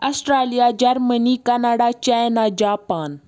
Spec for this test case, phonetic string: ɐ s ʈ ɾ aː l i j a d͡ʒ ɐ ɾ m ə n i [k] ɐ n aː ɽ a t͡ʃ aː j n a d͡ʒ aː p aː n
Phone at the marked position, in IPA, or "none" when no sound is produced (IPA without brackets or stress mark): k